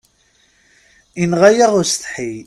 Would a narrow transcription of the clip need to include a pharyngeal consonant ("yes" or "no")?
yes